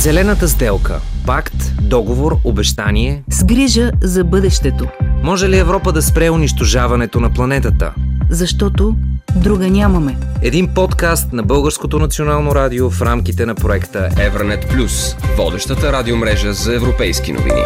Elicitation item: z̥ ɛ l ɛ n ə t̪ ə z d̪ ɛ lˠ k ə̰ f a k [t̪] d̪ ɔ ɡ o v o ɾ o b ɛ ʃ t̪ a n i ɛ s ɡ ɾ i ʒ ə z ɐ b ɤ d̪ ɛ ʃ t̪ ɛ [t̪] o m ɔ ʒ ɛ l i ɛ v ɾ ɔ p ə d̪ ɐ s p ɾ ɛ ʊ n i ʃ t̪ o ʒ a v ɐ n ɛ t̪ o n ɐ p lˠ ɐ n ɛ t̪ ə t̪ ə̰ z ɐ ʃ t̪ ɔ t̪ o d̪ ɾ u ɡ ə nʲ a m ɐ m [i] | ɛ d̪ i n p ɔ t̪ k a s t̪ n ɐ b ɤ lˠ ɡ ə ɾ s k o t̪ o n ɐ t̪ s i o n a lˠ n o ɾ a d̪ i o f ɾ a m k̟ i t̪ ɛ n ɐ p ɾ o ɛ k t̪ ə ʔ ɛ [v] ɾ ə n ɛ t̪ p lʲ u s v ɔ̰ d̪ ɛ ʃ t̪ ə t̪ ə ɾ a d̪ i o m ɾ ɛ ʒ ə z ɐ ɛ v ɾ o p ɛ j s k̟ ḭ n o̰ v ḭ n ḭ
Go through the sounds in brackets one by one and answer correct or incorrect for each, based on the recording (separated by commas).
correct, correct, incorrect, correct